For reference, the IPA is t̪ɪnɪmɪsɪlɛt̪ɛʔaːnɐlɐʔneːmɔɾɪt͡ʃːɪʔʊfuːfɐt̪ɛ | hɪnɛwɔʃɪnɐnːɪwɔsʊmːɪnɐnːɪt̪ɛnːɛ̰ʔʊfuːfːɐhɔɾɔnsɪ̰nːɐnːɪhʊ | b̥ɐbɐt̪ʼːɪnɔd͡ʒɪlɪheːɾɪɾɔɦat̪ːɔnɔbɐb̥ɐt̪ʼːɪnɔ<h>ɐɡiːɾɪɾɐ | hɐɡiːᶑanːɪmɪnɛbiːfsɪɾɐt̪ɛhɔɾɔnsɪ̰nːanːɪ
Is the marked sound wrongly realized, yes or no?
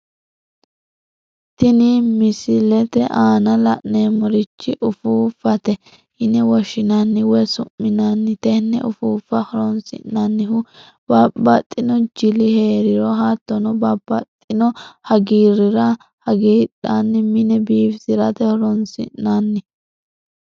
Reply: no